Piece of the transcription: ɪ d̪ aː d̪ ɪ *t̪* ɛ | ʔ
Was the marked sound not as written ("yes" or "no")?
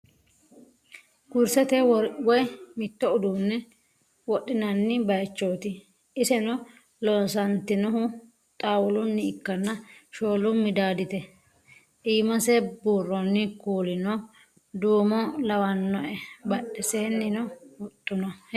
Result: no